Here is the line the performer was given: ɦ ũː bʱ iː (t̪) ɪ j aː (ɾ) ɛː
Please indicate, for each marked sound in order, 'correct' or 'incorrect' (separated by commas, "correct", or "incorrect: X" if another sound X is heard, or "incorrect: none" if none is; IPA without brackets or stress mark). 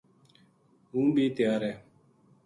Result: correct, correct